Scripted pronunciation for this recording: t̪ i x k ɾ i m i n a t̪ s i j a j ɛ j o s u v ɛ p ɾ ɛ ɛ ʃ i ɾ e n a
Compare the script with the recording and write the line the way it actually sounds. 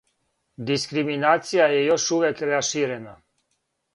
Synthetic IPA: d̪ i s k ɾ i m i n a t̪ s i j a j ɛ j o ʃ u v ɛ k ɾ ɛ a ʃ i ɾ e n a

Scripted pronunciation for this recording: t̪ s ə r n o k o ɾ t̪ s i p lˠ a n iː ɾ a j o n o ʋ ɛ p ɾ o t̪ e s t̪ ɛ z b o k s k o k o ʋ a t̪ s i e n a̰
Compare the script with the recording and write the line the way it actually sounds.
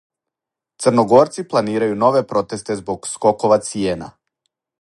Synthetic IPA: t̪ s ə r n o ɡ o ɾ t̪ s i p lˠ a n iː ɾ a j u n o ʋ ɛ p ɾ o t̪ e s t̪ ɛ z b o k s k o k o ʋ a t̪ s i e n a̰

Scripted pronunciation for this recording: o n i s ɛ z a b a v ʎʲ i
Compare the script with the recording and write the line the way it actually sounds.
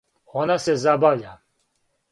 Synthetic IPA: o n a s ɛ z a b a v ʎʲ a

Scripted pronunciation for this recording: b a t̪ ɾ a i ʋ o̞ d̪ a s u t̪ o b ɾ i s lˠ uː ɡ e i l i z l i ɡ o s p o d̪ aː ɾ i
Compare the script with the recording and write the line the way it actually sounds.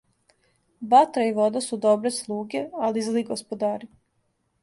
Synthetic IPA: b a t̪ ɾ a i ʋ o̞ d̪ a s u d̪ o b ɾ e s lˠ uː ɡ e a l i z l i ɡ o s p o d̪ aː ɾ i

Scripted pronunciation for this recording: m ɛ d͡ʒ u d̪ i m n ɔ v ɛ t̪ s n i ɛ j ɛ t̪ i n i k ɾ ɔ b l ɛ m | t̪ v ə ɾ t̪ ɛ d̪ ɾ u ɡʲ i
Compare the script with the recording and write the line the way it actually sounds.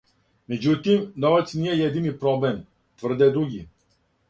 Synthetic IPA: m ɛ d͡ʒ u t̪ i m n ɔ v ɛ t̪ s n i ɛ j ɛ d̪ i n i p ɾ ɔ b l ɛ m | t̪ v ə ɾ d̪ ɛ d̪ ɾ u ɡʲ i

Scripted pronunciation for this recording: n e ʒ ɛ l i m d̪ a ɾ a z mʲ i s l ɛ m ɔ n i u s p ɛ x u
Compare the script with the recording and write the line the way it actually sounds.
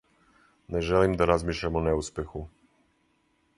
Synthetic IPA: n ɛ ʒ ɛ l i m d̪ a ɾ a z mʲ i ʃ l ɛ m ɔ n ɛ u s p ɛ x u

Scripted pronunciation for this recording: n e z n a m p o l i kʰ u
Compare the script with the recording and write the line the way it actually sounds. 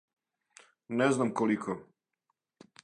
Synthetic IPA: n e z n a m k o l i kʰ o

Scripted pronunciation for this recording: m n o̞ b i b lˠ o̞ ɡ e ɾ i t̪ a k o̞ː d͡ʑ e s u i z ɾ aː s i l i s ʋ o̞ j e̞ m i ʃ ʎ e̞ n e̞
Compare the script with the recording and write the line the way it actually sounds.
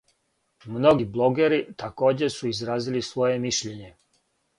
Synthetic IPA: m n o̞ ɡ i b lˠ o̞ ɡ e ɾ i t̪ a k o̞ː d͡ʑ e s u i z ɾ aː z i l i s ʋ o̞ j e̞ m i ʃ ʎ e̞ ɲ e̞

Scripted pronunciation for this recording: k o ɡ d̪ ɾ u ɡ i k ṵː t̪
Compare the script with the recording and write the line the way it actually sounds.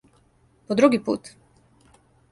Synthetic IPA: p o d̪ ɾ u ɡ i p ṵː t̪

